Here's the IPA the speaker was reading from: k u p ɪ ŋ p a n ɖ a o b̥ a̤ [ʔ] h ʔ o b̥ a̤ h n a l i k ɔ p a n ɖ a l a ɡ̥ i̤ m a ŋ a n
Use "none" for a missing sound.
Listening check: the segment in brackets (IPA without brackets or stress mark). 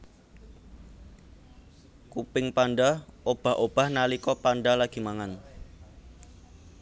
none